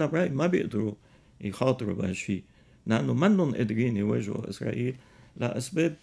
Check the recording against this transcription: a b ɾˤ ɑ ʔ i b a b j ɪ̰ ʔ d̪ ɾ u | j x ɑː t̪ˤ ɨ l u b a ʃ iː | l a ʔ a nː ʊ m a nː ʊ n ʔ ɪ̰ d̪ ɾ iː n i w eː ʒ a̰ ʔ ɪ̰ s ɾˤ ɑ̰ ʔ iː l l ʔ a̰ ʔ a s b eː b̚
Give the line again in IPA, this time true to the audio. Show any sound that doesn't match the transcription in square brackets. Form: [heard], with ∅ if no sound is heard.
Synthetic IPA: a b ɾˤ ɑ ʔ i [m] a b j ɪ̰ ʔ d̪ ɾ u | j x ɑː t̪ˤ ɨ [ɾ] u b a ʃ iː | l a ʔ a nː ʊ m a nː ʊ n ʔ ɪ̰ d̪ ɾ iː n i w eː ʒ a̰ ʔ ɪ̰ s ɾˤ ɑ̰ ʔ iː l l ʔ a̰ ʔ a s b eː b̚